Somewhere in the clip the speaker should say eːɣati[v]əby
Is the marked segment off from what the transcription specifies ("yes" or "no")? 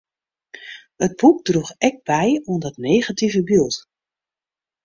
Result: no